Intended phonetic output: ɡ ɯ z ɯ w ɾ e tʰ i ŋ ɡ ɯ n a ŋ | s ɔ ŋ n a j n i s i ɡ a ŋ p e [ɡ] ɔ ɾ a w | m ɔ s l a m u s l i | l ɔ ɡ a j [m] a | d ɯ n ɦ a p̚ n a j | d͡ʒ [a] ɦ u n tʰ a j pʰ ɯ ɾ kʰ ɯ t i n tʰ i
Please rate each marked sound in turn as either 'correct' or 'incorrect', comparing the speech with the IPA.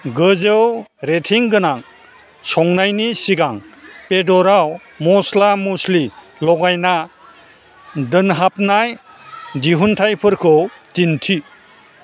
incorrect, incorrect, incorrect

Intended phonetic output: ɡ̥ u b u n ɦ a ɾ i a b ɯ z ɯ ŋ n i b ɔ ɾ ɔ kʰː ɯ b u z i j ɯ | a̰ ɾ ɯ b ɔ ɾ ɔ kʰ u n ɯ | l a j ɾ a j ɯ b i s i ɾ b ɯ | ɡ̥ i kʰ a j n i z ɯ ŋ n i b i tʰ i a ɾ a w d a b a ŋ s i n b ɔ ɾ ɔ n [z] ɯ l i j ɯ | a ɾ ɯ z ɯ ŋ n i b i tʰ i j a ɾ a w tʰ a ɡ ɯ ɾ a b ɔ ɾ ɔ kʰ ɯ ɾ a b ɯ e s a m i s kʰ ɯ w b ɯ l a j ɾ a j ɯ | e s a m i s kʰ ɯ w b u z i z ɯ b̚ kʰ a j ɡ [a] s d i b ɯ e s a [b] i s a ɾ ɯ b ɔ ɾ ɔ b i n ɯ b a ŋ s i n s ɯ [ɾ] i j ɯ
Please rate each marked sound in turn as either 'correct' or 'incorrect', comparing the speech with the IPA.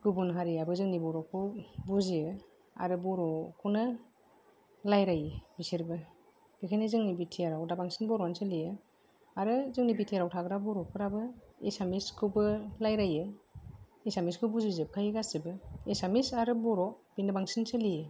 incorrect, correct, incorrect, incorrect

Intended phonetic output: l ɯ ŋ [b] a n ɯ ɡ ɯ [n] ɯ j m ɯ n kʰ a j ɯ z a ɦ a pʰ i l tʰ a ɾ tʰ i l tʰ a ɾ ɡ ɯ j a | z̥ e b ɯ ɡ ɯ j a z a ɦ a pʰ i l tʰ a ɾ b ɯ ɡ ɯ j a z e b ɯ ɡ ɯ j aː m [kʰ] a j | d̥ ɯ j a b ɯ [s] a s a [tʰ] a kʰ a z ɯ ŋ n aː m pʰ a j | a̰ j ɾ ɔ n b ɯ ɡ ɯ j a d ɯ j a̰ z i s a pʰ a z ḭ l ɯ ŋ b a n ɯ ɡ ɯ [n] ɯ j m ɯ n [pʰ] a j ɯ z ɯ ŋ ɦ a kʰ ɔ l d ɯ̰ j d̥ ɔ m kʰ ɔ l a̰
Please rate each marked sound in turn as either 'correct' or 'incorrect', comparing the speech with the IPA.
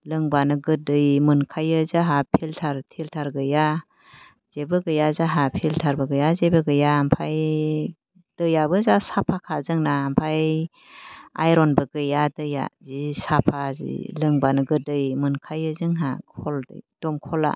correct, incorrect, incorrect, incorrect, incorrect, incorrect, incorrect

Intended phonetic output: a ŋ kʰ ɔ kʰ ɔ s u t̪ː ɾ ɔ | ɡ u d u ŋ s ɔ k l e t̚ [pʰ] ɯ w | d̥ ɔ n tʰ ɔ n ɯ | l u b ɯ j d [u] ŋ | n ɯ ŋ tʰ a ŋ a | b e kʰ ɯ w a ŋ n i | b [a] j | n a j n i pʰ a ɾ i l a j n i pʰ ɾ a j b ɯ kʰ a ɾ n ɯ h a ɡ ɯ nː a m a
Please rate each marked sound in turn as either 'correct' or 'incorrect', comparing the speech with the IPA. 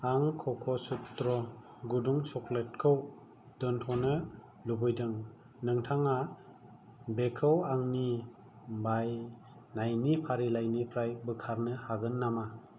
incorrect, incorrect, correct

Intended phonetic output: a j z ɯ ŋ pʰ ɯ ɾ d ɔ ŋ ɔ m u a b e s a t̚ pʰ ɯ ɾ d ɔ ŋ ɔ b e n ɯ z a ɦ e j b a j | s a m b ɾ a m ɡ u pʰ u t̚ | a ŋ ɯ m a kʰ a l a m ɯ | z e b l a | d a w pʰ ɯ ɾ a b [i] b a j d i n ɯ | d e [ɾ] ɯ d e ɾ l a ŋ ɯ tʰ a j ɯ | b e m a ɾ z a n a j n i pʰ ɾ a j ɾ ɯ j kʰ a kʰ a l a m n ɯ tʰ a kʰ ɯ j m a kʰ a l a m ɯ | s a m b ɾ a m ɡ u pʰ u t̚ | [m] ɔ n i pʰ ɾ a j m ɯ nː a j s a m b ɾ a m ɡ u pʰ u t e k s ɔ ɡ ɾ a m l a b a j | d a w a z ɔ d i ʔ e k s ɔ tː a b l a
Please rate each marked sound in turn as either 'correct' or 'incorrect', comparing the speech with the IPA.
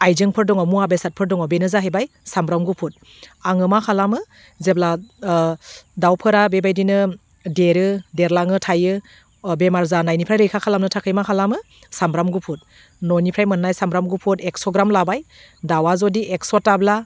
incorrect, correct, incorrect

